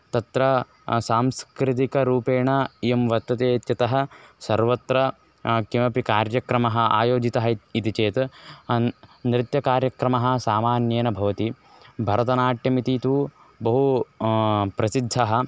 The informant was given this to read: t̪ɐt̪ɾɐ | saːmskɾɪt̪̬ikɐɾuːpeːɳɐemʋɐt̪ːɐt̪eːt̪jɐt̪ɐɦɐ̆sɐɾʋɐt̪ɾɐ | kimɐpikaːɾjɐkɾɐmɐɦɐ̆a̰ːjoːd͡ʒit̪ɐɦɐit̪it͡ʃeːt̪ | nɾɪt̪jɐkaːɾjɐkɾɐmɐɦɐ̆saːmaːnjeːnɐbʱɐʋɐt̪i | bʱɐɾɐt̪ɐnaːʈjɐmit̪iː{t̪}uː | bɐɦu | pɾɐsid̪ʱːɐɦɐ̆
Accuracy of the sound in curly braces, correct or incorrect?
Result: correct